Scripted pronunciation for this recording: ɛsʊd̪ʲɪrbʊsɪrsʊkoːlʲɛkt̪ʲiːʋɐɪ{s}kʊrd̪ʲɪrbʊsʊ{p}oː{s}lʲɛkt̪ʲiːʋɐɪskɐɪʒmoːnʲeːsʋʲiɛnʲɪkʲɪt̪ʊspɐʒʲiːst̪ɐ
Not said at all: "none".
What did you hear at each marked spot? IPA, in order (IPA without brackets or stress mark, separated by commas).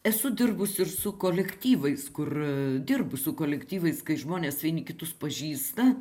s, k, none